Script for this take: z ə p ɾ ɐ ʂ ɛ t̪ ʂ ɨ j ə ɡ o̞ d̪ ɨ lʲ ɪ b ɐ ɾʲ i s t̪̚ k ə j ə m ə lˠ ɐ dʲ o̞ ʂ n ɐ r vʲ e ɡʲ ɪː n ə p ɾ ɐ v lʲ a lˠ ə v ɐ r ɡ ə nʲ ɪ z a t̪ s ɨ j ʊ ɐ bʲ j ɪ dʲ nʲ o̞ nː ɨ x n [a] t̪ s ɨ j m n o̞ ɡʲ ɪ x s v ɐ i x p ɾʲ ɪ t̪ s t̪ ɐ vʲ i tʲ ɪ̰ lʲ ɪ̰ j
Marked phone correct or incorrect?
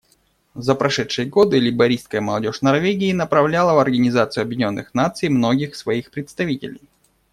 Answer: correct